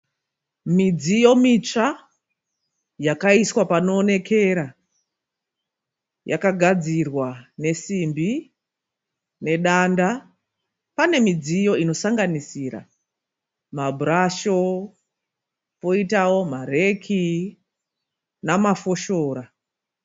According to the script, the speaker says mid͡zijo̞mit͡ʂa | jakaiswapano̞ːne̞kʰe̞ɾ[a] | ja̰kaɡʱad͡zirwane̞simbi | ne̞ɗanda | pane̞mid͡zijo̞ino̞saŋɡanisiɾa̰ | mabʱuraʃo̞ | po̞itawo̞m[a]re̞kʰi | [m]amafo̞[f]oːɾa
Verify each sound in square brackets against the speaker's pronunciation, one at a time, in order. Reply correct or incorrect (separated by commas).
correct, correct, incorrect, incorrect